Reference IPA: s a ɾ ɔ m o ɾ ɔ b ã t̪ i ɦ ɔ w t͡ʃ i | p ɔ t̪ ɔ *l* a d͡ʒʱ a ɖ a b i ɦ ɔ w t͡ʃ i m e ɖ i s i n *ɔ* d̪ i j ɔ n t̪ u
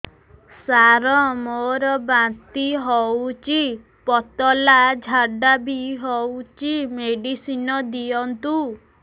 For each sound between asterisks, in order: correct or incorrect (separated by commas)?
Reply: correct, correct